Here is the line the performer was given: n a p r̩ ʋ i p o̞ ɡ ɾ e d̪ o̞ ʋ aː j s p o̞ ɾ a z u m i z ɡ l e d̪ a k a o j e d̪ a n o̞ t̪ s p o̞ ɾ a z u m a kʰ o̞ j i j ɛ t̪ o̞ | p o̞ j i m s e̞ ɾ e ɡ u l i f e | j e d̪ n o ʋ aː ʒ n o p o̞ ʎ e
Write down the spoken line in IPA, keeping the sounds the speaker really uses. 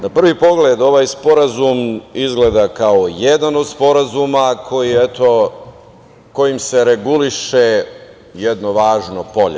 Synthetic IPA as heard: n a p r̩ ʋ i p o̞ ɡ l e d̪ o̞ ʋ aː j s p o̞ ɾ a z u m i z ɡ l e d̪ a k a o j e d̪ a n o̞ d̪ s p o̞ ɾ a z u m a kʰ o̞ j i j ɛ t̪ o̞ | k o̞ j i m s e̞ ɾ e ɡ u l i ʃ e | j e d̪ n o ʋ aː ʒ n o p o̞ ʎ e